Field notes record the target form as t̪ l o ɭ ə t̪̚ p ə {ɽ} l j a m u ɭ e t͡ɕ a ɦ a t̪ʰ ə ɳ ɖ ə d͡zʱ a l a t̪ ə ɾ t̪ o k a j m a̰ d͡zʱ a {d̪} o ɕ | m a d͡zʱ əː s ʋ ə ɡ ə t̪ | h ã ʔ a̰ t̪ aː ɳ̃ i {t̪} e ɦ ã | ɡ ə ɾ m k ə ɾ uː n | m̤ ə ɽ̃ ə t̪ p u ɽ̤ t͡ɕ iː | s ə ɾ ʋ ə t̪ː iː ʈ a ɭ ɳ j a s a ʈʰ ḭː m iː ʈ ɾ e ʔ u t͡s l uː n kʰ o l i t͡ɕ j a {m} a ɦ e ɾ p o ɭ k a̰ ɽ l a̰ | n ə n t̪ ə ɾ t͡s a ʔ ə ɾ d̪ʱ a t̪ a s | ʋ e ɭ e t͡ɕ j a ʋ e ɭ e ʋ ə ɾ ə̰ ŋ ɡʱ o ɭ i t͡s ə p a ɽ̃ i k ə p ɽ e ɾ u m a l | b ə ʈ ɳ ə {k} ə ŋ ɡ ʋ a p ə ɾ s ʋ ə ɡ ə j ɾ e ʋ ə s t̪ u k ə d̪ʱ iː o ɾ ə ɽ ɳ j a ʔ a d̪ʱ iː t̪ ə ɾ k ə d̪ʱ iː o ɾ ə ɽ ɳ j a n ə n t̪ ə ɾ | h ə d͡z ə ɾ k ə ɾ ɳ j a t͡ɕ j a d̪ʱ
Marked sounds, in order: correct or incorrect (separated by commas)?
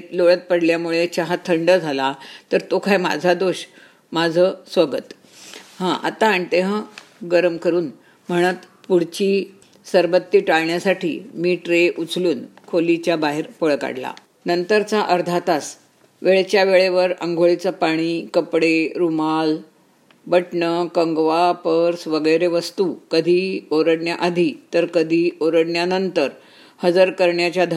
correct, correct, correct, incorrect, correct